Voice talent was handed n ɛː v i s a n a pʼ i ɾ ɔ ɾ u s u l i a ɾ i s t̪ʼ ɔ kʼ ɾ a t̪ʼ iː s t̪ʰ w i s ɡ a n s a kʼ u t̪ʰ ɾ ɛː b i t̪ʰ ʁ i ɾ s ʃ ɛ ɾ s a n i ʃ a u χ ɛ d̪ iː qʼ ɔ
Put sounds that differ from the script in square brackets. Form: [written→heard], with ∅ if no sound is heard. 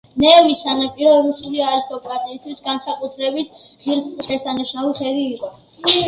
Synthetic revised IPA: n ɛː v i s a n a pʼ i ɾ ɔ ɾ u s u l i a ɾ i s t̪ʼ ɔ kʼ ɾ a t̪ʼ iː s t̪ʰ w i s ɡ a n s a kʼ u t̪ʰ ɾ [ɛː→ɛ] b i t̪ʰ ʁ i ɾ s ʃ ɛ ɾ s a n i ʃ a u χ ɛ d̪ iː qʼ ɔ